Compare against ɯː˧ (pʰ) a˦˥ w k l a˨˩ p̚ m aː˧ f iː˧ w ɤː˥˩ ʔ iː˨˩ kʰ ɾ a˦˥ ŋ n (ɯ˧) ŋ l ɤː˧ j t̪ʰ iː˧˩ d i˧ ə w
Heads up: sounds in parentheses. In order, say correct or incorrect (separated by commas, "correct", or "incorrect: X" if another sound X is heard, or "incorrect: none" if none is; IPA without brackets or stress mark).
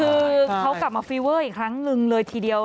incorrect: kʰ, correct